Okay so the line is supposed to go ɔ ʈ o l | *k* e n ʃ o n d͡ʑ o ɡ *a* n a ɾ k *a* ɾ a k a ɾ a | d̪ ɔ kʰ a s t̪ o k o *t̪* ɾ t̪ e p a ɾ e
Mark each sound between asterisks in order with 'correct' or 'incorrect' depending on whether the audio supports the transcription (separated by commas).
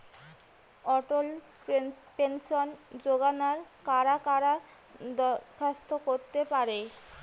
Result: incorrect, correct, correct, incorrect